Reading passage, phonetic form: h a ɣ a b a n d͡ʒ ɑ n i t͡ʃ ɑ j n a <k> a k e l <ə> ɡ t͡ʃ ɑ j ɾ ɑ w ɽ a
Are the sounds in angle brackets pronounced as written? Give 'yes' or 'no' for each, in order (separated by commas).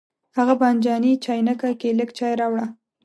yes, yes